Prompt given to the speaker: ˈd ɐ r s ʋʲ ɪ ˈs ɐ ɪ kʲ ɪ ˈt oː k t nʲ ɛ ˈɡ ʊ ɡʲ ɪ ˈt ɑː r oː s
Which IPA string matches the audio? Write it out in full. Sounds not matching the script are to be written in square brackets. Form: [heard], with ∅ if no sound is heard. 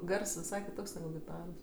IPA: [ˈɡ] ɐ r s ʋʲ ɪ ˈs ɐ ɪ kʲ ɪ ˈt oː k [s] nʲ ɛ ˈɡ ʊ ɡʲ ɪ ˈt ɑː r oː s